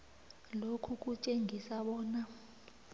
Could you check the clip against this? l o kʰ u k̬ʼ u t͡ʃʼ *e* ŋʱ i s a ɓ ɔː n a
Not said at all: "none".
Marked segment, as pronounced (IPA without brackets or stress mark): e